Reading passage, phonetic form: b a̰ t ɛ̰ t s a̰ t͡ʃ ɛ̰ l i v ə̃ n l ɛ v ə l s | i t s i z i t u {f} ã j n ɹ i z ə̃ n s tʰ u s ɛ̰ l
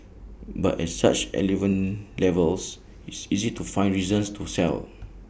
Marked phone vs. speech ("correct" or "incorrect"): correct